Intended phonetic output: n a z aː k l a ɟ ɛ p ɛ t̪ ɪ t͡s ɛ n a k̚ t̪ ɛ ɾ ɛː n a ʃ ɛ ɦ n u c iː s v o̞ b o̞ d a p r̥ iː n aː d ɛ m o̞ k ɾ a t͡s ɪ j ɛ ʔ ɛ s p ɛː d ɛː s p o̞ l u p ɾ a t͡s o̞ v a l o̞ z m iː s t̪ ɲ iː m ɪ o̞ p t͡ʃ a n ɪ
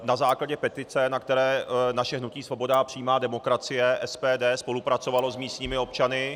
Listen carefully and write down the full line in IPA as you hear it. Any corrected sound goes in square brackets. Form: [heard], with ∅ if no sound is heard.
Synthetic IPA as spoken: n a z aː k l a ɟ ɛ p ɛ t̪ ɪ t͡s ɛ n a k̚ t̪ ɛ ɾ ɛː n a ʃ ɛ ɦ n u c iː s v o̞ b o̞ d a p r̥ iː [m] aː d ɛ m o̞ k ɾ a t͡s ɪ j ɛ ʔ ɛ s p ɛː d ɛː s p o̞ l u p ɾ a t͡s o̞ v a l o̞ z m iː s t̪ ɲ iː m ɪ o̞ p t͡ʃ a n ɪ